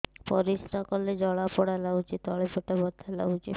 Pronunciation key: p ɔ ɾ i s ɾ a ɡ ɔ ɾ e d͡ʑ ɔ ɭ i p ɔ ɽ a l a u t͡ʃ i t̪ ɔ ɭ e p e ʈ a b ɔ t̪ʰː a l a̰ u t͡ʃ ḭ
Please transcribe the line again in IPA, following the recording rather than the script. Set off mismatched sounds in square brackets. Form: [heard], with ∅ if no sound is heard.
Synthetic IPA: p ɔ ɾ i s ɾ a [k] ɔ [l] e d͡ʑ ɔ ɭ [a] p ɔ ɽ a l a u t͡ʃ i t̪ ɔ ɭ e p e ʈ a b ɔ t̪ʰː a l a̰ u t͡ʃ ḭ